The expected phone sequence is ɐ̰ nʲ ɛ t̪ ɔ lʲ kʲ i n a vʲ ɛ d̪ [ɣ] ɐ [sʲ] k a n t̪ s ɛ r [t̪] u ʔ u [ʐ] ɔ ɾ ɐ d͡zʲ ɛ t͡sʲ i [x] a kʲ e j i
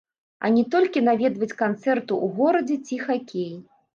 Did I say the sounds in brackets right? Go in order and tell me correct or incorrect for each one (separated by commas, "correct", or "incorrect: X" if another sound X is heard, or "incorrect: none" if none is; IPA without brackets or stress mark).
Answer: incorrect: v, incorrect: t͡sʲ, correct, incorrect: ɣ, correct